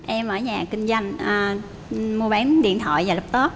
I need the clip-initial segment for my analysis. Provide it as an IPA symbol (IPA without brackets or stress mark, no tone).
ʔ